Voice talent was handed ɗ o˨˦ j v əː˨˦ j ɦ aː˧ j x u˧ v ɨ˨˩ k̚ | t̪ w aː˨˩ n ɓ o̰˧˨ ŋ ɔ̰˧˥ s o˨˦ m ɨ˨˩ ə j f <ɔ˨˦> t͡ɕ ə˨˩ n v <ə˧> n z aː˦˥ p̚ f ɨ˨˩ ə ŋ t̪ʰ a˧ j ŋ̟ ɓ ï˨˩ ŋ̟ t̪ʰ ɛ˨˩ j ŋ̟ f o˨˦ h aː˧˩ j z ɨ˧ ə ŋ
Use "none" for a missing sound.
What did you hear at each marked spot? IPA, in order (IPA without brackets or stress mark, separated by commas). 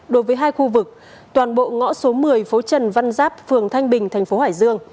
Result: o˨˦, a˧